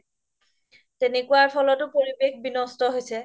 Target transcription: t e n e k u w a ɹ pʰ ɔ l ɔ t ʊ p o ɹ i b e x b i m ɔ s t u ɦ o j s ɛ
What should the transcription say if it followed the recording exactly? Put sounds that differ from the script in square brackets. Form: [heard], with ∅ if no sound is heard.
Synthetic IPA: t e n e k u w a ɹ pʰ ɔ l ɔ t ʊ p o ɹ i b e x b i [n] ɔ s t [ɔ] ɦ o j s ɛ